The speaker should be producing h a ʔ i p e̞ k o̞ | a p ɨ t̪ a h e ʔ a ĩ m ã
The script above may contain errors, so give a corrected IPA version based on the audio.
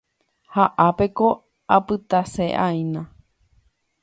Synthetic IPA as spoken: h a ʔ a p e̞ k o̞ | a p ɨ t̪ a s e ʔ a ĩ n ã

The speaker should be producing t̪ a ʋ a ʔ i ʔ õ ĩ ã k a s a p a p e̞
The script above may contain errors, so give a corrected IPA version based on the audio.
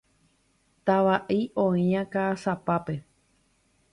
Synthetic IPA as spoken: t̪ a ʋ a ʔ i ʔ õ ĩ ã k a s a p a p e̞

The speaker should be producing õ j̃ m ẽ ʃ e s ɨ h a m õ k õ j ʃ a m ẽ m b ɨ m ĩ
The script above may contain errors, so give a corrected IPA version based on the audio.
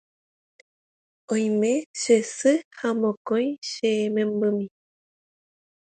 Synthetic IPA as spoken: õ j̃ m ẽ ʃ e s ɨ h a m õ k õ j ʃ e m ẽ m b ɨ m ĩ

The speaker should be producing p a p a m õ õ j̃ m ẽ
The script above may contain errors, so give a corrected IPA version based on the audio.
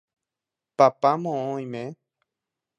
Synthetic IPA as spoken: p a p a m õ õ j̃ m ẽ

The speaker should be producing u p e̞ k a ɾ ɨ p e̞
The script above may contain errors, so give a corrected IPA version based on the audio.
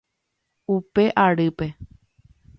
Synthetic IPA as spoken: u p e̞ ʔ a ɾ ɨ p e̞

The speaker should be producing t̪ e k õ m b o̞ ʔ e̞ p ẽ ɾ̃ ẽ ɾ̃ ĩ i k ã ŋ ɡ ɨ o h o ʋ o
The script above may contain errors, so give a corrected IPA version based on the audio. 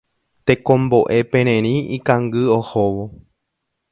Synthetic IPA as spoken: t̪ e k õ m b o̞ ʔ e̞ p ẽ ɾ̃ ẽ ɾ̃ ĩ i k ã ŋ ɡ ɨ o h o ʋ o

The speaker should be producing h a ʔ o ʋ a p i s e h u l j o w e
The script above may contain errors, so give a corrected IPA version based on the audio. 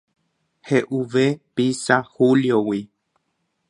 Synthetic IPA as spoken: h e ʔ u ʋ e p i s a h u l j o w i

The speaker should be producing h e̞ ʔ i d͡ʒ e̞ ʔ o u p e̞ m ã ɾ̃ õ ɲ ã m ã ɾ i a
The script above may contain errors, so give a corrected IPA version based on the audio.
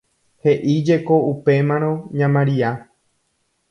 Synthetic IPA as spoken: h e̞ ʔ i d͡ʒ e̞ k o u p e̞ m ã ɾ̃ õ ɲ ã m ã ɾ i a

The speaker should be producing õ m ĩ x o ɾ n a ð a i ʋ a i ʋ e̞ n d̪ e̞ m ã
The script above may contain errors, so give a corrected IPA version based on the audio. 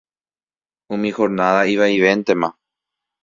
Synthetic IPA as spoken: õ m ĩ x o ɾ n a ð a i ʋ a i ʋ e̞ n t̪ e̞ m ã

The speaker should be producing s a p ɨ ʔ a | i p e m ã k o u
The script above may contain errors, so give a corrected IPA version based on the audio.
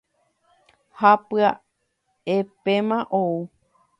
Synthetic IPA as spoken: h a p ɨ a | e p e m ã ʔ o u

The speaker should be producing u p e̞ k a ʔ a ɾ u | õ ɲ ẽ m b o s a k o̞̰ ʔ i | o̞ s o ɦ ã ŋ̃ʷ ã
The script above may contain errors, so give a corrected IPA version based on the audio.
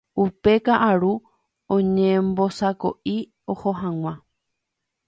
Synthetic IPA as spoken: u p e̞ k a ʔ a ɾ u | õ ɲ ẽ m b o s a k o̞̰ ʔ i | o̞ h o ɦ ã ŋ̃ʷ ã

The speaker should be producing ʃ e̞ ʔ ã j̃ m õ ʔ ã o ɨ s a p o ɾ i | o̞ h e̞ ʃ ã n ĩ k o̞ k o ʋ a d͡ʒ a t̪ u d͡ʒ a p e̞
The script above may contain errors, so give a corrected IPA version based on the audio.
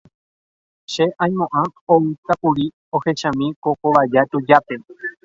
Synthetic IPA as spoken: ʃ e̞ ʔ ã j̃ m õ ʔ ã o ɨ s a p u ɾ i | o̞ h e̞ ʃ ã m ĩ k o̞ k o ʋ a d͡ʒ a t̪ u d͡ʒ a p e̞

